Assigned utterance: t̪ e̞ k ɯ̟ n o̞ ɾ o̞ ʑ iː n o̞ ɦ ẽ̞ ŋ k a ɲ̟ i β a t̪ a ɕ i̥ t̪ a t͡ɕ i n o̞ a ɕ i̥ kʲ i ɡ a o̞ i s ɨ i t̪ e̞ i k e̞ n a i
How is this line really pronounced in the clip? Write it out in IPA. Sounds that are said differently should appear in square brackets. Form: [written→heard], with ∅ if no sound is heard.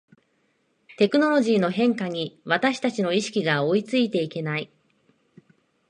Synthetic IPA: t̪ e̞ k ɯ̟ n o̞ ɾ o̞ ʑ iː n o̞ ɦ ẽ̞ ŋ k a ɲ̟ i β a t̪ a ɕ i̥ t̪ a t͡ɕ i n o̞ [a→i] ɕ i̥ kʲ i ɡ a o̞ i [s→t͡s] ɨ i t̪ e̞ i k e̞ n a i